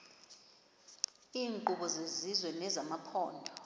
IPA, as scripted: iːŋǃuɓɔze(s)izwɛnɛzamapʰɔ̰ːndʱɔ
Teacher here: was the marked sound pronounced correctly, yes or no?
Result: no